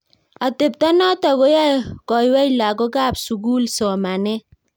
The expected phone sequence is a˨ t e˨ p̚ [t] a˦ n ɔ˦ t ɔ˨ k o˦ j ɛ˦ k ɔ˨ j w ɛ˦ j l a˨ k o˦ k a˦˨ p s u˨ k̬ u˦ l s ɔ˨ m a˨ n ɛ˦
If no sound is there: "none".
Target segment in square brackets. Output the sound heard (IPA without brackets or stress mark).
t